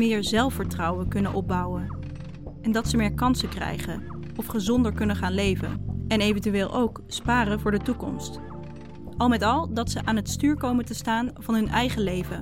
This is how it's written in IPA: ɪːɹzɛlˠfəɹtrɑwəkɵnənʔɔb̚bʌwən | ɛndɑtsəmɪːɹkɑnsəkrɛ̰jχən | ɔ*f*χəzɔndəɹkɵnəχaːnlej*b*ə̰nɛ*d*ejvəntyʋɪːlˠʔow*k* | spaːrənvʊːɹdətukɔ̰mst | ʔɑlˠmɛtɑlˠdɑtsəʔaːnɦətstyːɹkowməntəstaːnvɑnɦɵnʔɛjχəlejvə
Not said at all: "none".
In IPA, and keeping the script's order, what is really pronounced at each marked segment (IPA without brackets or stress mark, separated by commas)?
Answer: f, v, n, k